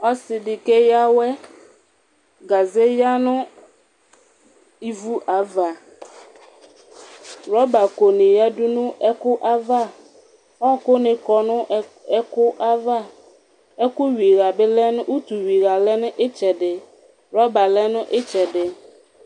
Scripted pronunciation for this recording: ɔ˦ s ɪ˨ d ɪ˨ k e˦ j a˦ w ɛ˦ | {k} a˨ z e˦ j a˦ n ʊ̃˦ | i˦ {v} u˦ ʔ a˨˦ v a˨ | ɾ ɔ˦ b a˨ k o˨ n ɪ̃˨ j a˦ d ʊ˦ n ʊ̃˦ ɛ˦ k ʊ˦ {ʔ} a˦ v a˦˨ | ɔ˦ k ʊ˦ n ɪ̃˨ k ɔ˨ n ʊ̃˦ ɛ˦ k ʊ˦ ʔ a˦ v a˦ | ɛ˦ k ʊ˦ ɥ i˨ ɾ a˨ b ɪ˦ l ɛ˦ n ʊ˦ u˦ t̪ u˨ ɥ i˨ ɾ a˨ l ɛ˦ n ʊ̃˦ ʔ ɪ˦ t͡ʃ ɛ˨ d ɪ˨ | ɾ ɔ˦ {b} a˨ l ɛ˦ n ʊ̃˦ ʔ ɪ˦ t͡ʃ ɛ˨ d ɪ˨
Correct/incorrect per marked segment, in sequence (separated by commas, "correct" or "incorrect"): incorrect, correct, correct, correct